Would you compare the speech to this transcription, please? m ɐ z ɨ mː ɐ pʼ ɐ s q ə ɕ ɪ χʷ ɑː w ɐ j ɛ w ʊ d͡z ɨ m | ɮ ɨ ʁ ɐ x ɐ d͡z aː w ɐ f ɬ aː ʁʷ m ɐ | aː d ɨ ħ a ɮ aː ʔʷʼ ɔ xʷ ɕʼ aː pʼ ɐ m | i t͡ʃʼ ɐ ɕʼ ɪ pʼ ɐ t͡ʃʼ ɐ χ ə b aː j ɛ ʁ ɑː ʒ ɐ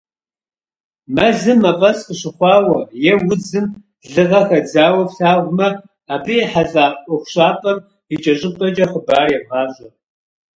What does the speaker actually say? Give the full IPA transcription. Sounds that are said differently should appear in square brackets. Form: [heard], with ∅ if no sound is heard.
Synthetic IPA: m ɐ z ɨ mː ɐ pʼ ɐ s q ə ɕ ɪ χʷ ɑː w ɐ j ɛ w ʊ d͡z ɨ m | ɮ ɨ ʁ ɐ x ɐ d͡z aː w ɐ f ɬ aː ʁʷ m ɐ | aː [b] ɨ ħ a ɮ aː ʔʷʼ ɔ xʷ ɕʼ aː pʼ ɐ m | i t͡ʃʼ ɐ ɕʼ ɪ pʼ ɐ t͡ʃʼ ɐ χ ə b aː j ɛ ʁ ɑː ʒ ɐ